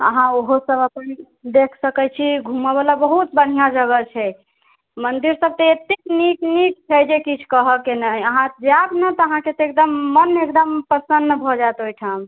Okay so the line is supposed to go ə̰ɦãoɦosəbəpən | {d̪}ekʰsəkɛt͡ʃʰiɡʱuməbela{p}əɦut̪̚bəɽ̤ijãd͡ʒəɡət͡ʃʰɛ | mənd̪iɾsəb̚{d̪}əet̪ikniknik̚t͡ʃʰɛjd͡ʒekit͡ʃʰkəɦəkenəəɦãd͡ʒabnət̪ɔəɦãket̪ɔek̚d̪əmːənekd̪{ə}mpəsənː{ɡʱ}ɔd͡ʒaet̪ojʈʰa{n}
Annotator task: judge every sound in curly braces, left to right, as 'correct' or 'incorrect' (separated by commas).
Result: correct, incorrect, incorrect, correct, incorrect, incorrect